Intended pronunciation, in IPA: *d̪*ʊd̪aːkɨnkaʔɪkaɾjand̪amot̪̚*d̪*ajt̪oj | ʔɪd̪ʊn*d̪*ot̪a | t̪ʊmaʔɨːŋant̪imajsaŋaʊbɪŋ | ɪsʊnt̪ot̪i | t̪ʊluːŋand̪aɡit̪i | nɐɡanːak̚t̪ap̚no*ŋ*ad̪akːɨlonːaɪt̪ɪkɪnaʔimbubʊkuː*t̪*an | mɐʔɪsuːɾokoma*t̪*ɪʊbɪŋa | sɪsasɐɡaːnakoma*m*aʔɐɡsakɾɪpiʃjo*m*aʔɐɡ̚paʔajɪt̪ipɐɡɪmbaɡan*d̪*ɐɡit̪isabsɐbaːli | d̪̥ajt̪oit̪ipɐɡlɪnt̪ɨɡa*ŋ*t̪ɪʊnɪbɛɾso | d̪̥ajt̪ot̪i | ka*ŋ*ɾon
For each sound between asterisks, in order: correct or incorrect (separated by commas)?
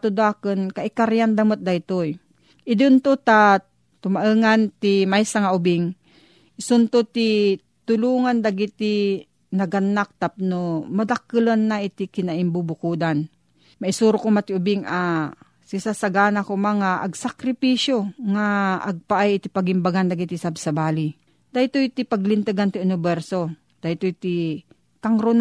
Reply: incorrect, correct, incorrect, incorrect, incorrect, correct, incorrect, incorrect, correct, incorrect, correct